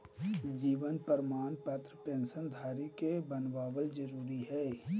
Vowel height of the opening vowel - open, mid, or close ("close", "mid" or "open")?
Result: close